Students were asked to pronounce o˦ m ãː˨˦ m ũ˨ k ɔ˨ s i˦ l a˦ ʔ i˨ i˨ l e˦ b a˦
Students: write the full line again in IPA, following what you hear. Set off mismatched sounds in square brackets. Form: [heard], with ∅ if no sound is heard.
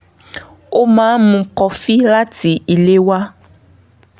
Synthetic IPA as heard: o˦ m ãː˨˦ m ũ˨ k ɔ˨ [f] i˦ l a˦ [t] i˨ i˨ l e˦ [w] a˦